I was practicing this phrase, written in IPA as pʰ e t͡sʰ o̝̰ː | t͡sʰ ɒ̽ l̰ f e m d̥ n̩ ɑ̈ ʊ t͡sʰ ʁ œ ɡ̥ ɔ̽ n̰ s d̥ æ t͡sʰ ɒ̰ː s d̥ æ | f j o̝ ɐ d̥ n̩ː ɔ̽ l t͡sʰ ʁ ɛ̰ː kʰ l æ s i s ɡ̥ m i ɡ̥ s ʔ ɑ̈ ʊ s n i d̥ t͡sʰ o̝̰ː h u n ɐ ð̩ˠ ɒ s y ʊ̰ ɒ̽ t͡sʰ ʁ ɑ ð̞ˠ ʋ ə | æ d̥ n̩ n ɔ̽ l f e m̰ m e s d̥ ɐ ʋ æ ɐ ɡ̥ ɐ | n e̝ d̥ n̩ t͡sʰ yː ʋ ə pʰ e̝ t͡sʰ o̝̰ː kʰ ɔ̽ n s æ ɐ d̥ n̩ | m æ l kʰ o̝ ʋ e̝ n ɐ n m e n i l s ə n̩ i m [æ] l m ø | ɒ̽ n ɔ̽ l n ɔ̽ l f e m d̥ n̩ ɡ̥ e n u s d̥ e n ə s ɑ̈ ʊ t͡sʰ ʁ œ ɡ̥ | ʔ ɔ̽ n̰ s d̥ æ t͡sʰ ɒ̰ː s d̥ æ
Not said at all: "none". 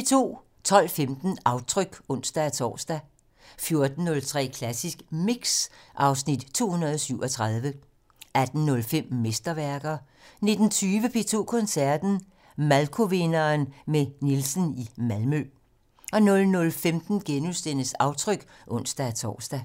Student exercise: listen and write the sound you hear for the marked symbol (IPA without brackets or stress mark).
æ